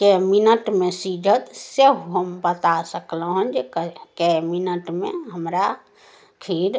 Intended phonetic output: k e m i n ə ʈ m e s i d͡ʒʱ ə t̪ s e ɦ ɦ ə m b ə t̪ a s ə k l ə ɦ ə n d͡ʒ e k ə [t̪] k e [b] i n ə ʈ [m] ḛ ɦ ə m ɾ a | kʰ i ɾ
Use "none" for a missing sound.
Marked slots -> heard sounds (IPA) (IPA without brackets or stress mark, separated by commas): none, m, m